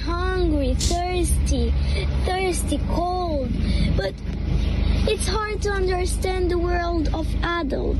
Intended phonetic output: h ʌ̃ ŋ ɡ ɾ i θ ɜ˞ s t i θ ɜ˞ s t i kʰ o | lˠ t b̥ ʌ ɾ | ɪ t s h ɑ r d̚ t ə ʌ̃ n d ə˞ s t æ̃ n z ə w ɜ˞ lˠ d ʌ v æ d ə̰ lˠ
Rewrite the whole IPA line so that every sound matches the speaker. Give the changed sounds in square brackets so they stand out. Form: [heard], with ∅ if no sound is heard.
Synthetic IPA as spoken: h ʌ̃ ŋ ɡ [ɹ] i θ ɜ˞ s t i θ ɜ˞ s t i kʰ o | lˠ [d] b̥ ʌ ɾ | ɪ t s h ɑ [ɹ] d̚ t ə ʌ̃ n d ə˞ s t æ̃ n [ð] ə w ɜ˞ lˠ d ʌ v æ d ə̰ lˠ